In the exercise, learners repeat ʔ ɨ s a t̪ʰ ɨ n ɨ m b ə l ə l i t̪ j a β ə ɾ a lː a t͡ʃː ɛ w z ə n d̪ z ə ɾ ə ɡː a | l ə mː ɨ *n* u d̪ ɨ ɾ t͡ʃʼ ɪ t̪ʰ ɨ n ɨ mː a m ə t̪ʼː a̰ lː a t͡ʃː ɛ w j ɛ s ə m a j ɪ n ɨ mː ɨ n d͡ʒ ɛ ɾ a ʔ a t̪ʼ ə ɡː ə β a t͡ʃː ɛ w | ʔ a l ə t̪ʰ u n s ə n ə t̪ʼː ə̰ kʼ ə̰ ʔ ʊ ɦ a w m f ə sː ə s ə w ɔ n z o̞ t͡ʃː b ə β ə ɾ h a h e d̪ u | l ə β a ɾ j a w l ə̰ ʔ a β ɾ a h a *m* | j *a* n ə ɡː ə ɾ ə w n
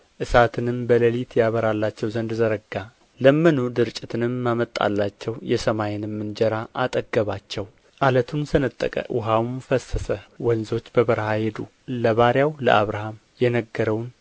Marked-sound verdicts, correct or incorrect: correct, correct, incorrect: ɛ

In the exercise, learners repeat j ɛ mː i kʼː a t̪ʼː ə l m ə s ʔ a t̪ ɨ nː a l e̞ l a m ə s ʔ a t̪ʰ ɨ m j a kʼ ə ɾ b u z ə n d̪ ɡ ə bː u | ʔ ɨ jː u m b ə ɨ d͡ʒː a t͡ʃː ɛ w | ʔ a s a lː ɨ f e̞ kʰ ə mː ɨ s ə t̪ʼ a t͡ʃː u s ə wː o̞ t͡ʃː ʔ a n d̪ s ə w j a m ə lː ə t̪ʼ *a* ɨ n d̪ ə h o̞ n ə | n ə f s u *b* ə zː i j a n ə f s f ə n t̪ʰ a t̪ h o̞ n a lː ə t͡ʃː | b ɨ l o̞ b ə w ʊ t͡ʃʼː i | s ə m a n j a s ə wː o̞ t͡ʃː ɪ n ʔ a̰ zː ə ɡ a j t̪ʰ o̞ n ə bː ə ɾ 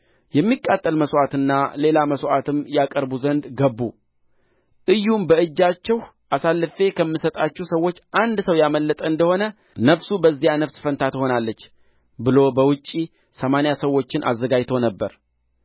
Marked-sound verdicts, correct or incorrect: incorrect: ə, correct

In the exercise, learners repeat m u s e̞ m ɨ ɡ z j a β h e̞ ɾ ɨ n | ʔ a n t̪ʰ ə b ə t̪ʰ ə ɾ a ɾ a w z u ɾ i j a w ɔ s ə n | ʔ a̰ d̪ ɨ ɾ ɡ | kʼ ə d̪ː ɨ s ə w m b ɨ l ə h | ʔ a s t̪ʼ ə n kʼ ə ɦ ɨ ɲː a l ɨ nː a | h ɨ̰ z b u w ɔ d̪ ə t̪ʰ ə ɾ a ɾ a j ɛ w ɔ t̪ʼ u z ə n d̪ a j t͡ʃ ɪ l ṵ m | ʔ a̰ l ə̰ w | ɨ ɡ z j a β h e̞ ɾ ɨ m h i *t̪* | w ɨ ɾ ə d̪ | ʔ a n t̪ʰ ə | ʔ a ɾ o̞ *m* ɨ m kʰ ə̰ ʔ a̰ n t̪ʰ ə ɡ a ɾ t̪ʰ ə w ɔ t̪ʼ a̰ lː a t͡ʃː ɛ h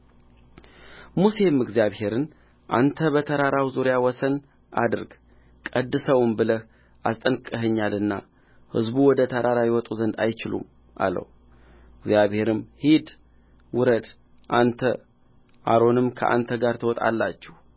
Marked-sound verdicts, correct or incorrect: incorrect: d̪, incorrect: n

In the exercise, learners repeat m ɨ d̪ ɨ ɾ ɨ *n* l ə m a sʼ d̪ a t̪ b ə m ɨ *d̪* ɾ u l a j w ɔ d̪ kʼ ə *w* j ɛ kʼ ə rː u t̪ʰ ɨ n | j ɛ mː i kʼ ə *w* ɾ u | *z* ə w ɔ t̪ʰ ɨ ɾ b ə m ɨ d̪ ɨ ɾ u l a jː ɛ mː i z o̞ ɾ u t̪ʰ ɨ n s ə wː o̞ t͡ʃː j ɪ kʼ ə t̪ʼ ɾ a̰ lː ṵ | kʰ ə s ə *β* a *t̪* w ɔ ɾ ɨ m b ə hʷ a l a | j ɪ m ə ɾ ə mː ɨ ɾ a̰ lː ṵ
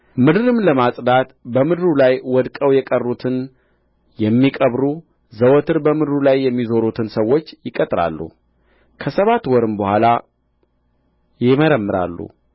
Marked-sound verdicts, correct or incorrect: incorrect: m, correct, correct, incorrect: β, correct, correct, correct

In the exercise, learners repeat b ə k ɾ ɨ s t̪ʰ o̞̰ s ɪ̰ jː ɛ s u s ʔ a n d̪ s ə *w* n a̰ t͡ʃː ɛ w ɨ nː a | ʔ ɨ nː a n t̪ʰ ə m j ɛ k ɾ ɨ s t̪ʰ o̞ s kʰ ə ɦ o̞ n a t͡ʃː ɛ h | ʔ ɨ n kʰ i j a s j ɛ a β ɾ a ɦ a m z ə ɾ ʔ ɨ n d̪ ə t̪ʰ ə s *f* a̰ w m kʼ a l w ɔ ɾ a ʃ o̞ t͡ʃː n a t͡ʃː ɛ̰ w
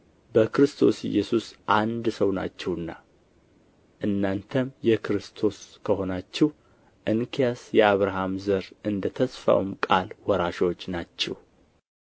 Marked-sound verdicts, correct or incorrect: correct, correct

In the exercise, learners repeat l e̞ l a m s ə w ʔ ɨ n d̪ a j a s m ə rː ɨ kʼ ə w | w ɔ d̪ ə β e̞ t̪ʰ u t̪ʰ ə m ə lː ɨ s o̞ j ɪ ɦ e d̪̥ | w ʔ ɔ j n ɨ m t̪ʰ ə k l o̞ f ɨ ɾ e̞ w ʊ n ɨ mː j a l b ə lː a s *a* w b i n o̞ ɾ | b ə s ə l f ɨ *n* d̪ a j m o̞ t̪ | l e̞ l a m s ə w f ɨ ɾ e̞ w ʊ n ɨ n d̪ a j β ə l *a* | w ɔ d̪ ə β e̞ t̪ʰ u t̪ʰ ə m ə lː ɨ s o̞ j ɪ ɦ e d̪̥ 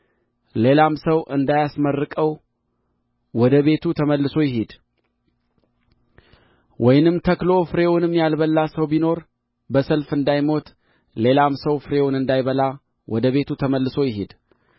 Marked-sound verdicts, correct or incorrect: incorrect: ə, correct, correct

